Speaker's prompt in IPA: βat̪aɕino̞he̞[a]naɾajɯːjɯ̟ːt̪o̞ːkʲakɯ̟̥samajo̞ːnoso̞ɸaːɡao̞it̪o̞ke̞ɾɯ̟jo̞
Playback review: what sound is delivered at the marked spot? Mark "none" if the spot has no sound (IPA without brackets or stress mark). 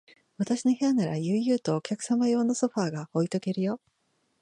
a